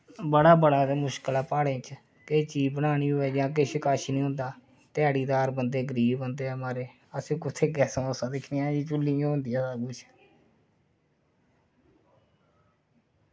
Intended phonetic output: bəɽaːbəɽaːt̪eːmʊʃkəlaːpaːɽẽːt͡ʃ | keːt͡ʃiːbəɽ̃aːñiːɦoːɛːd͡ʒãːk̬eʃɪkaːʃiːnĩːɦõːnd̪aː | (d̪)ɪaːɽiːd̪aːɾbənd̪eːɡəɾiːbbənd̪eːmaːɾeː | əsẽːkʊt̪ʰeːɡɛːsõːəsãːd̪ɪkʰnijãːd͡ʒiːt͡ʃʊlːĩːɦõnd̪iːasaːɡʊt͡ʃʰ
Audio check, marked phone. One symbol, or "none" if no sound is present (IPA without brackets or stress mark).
t̪